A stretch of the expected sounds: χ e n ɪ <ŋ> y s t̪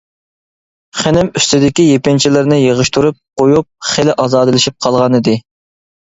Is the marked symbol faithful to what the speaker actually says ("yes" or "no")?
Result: no